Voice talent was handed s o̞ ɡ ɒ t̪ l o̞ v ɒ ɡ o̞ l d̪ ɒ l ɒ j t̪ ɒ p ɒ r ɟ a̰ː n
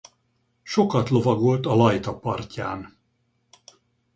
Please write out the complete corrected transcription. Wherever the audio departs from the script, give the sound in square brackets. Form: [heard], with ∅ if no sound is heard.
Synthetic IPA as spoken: [ʃ] o̞ [k] ɒ t̪ l o̞ v ɒ ɡ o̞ l [t̪] ɒ l ɒ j t̪ ɒ p ɒ r [c] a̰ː n